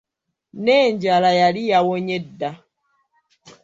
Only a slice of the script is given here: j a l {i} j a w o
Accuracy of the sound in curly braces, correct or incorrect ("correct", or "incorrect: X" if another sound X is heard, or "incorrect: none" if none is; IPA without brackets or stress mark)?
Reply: correct